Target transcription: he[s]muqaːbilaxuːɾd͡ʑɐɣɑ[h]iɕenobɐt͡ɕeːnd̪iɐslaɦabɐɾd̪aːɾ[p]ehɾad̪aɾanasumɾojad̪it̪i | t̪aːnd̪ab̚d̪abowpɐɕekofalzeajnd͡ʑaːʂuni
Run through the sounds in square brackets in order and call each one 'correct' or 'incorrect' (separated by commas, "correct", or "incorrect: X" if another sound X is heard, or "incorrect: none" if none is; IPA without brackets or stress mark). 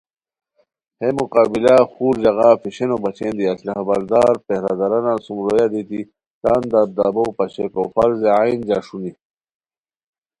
incorrect: none, incorrect: f, correct